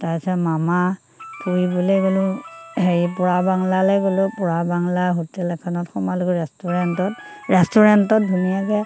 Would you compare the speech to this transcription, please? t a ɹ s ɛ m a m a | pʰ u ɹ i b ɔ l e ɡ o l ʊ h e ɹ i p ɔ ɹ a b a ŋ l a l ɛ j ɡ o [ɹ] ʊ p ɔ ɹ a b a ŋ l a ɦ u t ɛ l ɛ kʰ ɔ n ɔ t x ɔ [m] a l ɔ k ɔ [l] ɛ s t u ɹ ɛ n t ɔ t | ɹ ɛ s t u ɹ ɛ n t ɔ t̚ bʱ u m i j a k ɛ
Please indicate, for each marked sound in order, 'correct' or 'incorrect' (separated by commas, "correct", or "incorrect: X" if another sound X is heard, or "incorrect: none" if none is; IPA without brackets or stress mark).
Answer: incorrect: l, correct, incorrect: ɹ